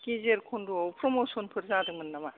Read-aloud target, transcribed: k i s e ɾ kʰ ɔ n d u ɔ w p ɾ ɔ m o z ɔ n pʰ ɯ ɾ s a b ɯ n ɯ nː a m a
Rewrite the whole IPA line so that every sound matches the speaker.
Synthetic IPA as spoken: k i z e ɾ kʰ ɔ n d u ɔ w p ɾ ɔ m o s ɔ n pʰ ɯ ɾ z a d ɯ m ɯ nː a m a